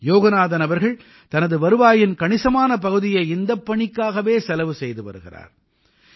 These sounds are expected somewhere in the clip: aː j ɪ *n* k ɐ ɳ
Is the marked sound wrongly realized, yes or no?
no